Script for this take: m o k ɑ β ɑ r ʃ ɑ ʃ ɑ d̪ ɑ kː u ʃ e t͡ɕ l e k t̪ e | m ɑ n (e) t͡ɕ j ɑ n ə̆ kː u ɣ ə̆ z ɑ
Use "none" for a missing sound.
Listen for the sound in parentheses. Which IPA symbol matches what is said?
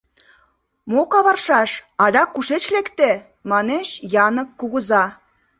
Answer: e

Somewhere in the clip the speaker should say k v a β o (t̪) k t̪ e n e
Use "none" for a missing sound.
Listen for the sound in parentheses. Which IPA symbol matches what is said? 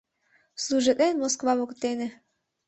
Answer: none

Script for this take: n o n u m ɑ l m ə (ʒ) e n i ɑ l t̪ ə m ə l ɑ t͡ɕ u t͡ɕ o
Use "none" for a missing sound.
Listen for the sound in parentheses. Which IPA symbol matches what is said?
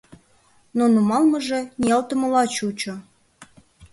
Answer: ʒ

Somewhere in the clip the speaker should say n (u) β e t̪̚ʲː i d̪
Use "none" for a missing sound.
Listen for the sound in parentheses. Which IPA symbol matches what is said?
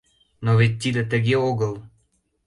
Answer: o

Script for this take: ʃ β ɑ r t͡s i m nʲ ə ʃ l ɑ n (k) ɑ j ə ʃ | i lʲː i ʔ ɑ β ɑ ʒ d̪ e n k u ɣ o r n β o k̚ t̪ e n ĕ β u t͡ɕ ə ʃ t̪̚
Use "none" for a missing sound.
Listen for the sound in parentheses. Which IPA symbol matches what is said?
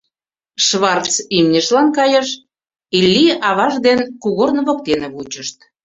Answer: k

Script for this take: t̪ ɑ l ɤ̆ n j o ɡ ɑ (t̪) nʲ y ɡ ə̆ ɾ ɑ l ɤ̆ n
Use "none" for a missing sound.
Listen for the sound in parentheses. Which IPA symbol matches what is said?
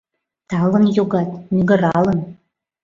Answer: t̪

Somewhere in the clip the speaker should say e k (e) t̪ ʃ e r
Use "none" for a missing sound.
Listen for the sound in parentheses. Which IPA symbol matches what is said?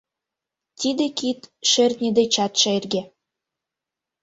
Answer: i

